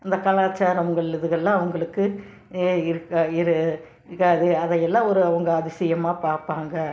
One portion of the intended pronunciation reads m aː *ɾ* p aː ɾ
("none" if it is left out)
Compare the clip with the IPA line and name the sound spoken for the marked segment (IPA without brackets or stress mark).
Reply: none